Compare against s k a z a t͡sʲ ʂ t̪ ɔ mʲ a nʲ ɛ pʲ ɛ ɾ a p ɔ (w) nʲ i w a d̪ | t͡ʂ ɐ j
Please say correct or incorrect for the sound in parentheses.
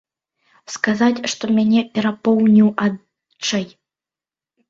correct